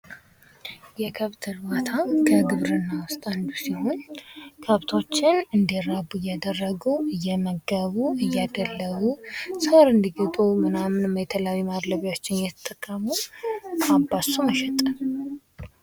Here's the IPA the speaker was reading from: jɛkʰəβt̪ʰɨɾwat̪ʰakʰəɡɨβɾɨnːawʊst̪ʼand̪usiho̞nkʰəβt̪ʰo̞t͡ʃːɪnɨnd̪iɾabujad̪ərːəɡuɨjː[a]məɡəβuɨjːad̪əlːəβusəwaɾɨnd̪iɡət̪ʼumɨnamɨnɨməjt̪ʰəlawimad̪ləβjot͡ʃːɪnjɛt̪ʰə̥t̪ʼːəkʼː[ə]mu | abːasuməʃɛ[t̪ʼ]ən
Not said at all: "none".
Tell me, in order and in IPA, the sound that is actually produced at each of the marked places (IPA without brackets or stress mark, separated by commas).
ɛ, ə, t̪ʼ